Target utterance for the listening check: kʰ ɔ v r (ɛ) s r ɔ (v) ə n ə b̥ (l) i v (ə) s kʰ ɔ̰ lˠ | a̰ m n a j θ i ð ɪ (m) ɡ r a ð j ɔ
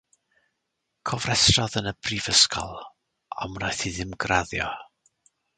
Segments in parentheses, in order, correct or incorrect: correct, incorrect: ð, incorrect: r, correct, correct

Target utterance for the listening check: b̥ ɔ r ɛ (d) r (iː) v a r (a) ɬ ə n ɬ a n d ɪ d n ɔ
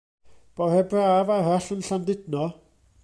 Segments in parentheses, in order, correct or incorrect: incorrect: b, incorrect: aː, correct

